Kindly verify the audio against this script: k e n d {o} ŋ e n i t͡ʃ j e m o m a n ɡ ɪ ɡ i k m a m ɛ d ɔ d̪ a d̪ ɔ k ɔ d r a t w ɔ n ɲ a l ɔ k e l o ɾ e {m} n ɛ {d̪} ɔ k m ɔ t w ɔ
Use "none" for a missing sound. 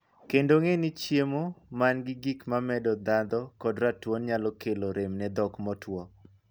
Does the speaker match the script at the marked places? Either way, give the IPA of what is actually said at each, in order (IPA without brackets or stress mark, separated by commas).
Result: o, m, d̪